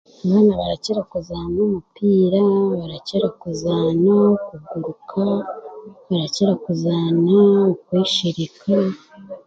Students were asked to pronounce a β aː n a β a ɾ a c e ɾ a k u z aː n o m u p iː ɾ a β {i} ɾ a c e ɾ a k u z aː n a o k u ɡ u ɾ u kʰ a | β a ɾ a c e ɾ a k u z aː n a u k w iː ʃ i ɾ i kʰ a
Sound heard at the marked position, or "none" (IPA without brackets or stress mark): a